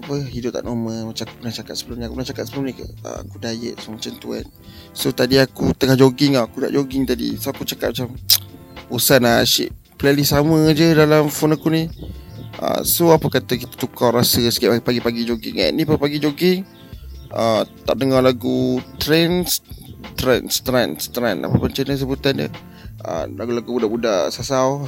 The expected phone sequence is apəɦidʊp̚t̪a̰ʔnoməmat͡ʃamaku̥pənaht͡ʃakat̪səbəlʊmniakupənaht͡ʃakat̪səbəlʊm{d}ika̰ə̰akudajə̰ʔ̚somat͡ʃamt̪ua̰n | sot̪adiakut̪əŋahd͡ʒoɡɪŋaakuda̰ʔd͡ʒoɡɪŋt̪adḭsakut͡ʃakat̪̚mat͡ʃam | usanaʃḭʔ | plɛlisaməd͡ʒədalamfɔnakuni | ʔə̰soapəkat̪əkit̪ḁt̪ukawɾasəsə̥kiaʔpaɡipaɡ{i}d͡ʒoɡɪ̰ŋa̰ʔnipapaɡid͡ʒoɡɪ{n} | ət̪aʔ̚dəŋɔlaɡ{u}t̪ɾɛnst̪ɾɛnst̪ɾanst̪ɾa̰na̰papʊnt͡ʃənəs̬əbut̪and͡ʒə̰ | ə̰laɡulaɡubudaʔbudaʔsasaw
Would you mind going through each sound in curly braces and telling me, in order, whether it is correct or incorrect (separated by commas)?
incorrect, correct, incorrect, correct